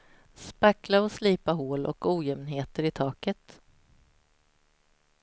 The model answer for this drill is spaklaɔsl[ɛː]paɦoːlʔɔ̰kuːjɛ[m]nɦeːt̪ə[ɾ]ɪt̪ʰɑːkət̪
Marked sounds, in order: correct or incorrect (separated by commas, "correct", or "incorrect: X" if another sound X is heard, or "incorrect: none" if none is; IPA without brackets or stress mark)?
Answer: incorrect: iː, correct, correct